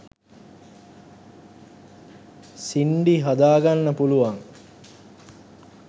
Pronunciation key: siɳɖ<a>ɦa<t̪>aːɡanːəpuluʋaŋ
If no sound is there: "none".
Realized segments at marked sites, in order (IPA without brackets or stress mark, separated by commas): i, d̪